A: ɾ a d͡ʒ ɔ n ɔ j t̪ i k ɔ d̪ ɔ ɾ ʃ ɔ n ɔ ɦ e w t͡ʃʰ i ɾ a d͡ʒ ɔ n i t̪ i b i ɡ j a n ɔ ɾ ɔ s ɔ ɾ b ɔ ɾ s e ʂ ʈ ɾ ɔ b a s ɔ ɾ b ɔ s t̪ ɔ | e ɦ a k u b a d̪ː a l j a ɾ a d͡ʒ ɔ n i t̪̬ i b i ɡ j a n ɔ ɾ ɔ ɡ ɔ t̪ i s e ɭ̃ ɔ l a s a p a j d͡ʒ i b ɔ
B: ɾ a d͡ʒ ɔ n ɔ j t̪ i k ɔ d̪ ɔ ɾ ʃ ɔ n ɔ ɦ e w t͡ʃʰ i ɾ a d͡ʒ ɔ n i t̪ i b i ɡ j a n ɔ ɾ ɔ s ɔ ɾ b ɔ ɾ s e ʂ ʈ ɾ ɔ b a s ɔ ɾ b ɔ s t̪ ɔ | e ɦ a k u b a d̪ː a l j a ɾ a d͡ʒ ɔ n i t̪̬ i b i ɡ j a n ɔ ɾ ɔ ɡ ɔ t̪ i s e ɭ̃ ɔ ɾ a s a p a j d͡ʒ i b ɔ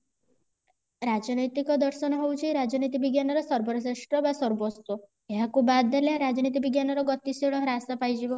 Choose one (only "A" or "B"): B